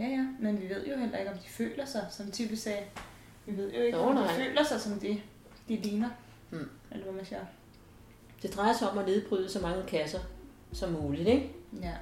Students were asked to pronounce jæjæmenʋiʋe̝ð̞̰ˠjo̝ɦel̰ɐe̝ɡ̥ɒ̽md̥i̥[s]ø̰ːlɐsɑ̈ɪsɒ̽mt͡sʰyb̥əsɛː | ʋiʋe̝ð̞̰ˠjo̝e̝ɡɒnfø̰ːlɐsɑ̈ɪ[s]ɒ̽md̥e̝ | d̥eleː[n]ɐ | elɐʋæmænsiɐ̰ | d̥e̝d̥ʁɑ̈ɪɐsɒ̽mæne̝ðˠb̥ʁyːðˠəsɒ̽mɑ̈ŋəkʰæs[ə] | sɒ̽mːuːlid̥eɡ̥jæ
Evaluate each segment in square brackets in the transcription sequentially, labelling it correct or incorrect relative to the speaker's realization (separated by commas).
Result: incorrect, correct, correct, incorrect